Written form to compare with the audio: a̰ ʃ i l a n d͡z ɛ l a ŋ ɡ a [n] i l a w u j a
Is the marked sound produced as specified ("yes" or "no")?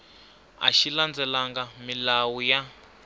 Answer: no